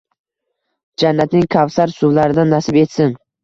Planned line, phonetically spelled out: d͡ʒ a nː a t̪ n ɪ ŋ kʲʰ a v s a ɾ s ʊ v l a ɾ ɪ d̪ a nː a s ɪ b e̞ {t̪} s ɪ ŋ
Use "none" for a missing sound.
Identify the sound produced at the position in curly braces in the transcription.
t̪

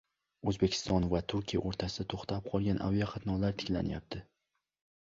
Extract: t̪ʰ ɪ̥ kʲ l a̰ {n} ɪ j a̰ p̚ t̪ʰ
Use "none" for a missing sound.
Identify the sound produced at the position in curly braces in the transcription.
n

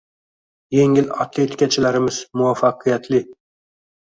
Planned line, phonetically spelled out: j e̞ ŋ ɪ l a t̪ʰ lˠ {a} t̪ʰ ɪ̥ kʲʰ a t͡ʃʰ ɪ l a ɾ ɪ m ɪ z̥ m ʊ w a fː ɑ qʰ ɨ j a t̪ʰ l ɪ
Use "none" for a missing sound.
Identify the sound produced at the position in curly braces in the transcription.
e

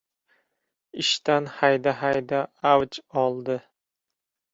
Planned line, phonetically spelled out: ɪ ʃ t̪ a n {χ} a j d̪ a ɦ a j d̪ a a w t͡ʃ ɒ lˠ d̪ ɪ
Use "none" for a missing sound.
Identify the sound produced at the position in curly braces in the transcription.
h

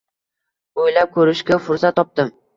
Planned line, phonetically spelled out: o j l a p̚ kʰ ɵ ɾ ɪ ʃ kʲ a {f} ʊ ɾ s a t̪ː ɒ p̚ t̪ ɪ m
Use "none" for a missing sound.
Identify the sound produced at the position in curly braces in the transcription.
f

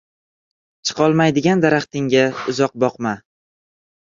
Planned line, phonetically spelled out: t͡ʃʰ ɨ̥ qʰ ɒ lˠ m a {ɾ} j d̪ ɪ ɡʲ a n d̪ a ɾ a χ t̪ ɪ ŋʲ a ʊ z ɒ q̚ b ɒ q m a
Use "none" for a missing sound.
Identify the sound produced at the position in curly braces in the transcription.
none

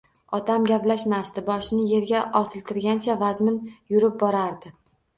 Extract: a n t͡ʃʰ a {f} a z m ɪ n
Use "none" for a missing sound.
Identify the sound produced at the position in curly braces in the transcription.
v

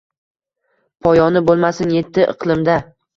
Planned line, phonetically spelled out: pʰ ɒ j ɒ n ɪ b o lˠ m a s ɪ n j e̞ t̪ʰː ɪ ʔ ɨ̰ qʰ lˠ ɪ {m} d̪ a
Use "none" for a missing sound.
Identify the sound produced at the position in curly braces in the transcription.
m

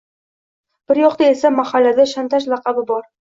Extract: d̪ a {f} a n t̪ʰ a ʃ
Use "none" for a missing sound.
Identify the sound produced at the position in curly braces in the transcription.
ʃ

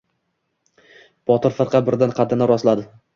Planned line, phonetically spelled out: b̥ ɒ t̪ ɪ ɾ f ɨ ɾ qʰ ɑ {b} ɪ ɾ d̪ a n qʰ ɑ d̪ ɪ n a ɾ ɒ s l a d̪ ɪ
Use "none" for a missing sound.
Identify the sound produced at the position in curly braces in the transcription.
b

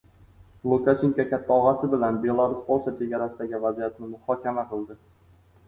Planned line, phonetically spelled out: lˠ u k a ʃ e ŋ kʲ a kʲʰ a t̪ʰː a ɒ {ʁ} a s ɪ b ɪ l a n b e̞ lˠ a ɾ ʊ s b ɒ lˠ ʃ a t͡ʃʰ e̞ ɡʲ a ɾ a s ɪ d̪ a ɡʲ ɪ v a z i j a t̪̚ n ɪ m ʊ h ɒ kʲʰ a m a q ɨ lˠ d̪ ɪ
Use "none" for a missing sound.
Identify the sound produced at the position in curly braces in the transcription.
ʁ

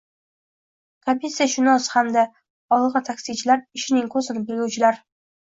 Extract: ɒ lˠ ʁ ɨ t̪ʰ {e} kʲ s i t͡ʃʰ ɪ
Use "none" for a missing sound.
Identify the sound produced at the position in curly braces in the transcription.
a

